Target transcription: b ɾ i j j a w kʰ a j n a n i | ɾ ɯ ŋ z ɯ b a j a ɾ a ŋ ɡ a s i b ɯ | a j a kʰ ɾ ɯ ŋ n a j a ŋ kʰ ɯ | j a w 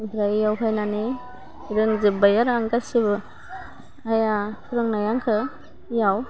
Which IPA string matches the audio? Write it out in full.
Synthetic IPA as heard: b ɾ a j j a w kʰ a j n a n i | ɾ ɯ ŋ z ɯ b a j a ɾ a ŋ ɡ a s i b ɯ | a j a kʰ ɾ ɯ ŋ n a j a ŋ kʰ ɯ | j a w